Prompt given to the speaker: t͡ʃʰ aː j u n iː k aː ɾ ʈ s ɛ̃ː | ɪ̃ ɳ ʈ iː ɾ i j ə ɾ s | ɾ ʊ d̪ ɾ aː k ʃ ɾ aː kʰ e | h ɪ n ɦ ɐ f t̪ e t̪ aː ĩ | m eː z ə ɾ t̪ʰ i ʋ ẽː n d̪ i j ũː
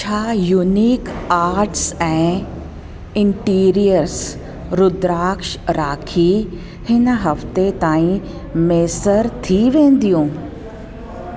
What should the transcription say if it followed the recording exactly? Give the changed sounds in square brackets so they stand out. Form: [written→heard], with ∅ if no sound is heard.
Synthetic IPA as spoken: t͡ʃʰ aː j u n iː k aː ɾ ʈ s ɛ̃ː | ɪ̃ ɳ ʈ iː ɾ i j ə ɾ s | ɾ ʊ d̪ ɾ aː k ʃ ɾ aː kʰ [e→i] | h ɪ n ɦ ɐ f t̪ e t̪ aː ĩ | m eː [z→s] ə ɾ t̪ʰ i ʋ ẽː n d̪ i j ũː